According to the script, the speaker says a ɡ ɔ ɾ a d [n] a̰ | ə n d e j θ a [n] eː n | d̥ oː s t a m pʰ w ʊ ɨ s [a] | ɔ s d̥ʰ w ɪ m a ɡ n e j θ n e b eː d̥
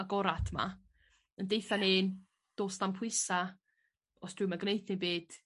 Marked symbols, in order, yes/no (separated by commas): no, yes, yes